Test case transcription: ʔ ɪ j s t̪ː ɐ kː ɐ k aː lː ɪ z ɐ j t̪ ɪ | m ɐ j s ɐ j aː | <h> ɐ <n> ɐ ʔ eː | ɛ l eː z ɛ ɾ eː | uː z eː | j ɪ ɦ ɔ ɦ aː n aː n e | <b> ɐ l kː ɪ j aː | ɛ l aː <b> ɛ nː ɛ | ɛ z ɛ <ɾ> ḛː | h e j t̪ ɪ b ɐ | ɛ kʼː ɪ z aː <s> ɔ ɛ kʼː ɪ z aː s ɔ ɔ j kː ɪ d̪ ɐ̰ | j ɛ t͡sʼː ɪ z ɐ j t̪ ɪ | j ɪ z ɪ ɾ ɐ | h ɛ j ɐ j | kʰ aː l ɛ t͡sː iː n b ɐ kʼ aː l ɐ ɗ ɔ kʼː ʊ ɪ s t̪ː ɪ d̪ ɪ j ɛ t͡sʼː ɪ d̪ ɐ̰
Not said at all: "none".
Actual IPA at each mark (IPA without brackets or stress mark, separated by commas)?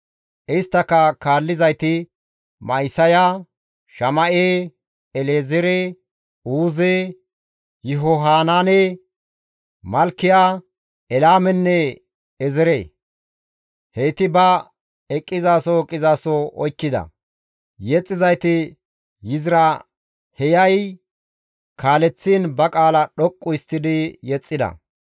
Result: ʃ, m, m, m, ɾ, s